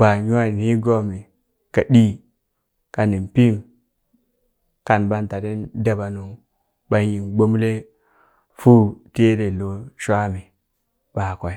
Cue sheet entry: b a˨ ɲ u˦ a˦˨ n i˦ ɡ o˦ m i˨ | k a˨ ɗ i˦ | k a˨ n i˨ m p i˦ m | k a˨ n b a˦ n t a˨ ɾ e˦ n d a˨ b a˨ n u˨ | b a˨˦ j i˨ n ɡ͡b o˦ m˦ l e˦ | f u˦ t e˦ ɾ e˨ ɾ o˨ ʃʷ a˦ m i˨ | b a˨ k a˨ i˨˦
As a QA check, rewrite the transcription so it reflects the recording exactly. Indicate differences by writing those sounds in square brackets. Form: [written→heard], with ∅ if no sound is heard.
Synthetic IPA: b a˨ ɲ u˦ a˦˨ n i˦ ɡ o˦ m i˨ | k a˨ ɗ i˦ | k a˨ n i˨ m p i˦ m | k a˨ n b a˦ n t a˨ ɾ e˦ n d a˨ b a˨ n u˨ | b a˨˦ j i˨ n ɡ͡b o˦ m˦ l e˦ | f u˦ t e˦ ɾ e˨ [ɾ→l] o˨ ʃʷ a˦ m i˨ | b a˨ k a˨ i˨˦